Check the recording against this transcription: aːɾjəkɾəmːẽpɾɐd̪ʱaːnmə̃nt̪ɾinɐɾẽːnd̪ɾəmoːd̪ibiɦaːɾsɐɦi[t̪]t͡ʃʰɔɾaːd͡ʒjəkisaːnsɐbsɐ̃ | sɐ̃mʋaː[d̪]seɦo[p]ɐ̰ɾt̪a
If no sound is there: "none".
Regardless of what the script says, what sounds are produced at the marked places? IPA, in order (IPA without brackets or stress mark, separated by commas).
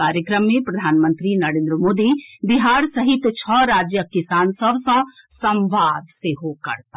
t̪, d̪, k